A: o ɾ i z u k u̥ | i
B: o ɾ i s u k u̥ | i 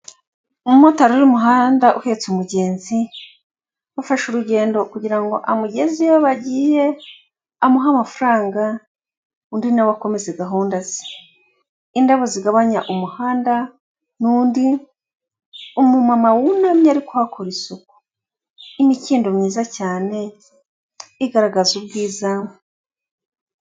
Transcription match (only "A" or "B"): B